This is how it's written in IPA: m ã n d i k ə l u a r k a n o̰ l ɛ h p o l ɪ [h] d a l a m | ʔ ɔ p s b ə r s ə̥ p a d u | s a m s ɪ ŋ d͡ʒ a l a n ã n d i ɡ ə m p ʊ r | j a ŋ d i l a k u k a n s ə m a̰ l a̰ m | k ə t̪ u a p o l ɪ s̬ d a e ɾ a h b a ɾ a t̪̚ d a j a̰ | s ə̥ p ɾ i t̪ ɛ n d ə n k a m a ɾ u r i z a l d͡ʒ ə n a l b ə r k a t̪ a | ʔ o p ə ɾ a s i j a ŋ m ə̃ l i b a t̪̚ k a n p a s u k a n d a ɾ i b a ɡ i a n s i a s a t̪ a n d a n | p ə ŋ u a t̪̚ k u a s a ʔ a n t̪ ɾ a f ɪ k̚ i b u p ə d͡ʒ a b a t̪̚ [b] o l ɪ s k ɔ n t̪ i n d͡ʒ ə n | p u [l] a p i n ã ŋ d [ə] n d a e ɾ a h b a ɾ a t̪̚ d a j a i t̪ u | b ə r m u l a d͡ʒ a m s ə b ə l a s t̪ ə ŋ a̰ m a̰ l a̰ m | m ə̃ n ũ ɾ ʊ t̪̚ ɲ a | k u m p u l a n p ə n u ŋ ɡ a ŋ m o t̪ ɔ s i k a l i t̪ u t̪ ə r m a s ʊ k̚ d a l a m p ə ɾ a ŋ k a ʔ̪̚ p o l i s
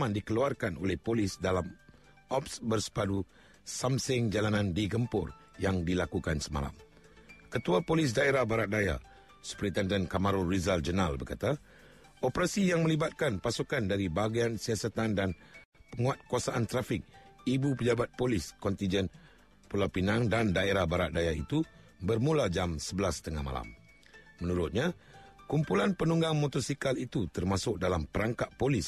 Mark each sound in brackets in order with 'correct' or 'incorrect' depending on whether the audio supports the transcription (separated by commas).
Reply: incorrect, incorrect, correct, incorrect